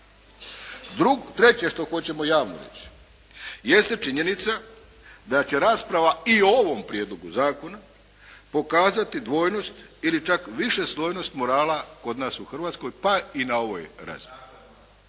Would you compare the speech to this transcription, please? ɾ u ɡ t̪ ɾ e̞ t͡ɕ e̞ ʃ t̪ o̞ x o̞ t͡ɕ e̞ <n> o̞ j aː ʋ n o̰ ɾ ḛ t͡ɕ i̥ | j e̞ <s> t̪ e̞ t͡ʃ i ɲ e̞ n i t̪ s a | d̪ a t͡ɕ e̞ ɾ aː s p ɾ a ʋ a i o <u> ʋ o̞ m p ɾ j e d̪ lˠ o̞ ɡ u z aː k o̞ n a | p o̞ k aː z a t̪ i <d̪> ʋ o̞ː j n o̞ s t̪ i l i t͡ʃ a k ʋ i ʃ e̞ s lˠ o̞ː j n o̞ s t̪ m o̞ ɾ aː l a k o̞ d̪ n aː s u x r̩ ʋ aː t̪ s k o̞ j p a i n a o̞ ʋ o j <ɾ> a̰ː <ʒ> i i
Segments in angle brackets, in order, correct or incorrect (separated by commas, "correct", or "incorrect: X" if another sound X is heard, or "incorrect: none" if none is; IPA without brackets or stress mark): incorrect: m, correct, incorrect: o, correct, correct, incorrect: z